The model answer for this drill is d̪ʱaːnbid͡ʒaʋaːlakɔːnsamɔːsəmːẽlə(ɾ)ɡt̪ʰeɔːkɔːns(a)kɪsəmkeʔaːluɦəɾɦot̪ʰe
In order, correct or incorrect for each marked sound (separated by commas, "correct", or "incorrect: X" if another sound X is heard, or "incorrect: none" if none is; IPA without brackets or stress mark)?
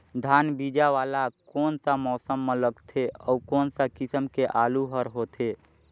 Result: incorrect: none, correct